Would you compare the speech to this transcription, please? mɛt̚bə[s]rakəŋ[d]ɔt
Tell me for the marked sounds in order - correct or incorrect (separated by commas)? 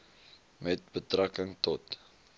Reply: incorrect, incorrect